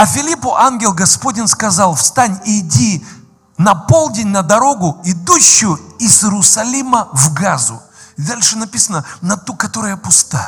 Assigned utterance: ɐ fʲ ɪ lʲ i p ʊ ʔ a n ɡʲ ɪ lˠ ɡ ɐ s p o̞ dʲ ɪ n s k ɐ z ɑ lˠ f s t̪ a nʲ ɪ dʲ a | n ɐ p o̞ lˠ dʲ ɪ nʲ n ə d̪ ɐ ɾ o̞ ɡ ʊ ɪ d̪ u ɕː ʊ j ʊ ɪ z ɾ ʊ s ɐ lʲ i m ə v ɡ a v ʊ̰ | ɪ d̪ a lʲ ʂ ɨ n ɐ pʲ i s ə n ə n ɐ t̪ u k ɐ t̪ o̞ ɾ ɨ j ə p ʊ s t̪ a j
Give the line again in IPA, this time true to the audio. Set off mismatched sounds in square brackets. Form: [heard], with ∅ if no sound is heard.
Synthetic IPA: ɐ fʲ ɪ lʲ i p ʊ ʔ a n ɡʲ ɪ lˠ ɡ ɐ s p o̞ dʲ ɪ n s k ɐ z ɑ lˠ f s t̪ a nʲ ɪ dʲ [i] | n ɐ p o̞ lˠ dʲ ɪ nʲ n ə d̪ ɐ ɾ o̞ ɡ ʊ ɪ d̪ u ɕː ʊ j ʊ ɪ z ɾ ʊ s ɐ lʲ i m ə v ɡ a [z] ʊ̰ | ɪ d̪ a lʲ ʂ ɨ n ɐ pʲ i s ə n ə n ɐ t̪ u k ɐ t̪ o̞ ɾ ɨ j ə p ʊ s t̪ a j